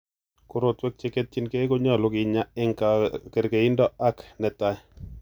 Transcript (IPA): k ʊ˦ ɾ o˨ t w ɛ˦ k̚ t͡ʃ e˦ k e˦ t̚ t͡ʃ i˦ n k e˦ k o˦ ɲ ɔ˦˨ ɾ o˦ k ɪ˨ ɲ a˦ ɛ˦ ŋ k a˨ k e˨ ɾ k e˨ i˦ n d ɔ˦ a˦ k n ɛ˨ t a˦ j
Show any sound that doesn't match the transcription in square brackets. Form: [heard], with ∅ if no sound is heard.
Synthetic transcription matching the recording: k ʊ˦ ɾ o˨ t w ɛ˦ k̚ t͡ʃ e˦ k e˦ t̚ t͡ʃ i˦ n k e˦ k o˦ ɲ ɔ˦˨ [l] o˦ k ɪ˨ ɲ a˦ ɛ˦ ŋ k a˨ k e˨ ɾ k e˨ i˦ n d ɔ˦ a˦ k n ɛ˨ t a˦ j